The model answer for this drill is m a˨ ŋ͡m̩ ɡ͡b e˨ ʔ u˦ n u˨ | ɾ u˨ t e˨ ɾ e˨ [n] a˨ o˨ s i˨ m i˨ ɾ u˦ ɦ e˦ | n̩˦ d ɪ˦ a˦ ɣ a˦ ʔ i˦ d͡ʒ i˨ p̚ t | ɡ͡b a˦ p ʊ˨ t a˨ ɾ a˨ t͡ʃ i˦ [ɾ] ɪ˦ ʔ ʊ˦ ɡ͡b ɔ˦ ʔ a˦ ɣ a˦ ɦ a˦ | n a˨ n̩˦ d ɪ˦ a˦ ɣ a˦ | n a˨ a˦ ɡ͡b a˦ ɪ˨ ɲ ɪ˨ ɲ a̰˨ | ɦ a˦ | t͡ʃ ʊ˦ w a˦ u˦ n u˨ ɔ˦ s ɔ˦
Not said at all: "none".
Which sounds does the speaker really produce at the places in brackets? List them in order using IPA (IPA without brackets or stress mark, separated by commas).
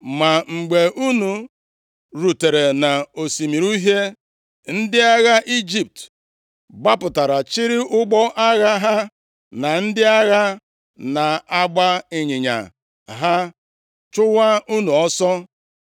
n, ɾ